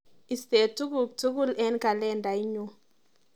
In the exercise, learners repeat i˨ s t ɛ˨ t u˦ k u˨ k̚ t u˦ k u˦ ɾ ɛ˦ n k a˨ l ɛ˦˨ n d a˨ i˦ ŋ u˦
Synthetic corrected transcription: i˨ s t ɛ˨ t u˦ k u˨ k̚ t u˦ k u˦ l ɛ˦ n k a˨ l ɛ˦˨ n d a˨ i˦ ɲ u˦